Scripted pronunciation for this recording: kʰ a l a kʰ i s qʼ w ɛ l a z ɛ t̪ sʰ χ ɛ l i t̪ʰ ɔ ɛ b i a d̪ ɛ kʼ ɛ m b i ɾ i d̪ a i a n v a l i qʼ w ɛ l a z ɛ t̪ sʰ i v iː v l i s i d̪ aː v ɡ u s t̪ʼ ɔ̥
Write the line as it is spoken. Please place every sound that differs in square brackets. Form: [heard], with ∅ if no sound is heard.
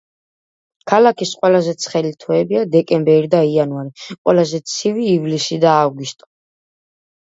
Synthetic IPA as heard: kʰ a l a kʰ i s qʼ w ɛ l a z ɛ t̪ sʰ χ ɛ l i t̪ʰ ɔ ɛ b i a d̪ ɛ kʼ ɛ m b [ɛ] ɾ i d̪ a i a n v a [ɾ] i qʼ w ɛ l a z ɛ t̪ sʰ i v iː v l i s i d̪ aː v ɡ u s t̪ʼ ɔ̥